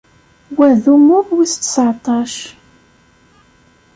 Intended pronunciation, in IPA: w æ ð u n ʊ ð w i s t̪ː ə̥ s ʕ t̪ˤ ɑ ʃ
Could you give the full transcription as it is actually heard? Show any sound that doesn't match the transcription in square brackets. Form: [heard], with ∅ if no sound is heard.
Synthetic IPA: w æ ð u [m] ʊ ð w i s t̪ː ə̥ s ʕ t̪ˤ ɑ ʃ